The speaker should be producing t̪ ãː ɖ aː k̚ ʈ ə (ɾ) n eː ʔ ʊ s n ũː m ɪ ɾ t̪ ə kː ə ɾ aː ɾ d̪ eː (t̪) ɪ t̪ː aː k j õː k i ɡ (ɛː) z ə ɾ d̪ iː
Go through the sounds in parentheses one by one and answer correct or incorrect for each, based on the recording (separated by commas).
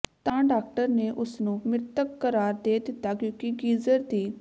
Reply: correct, incorrect, incorrect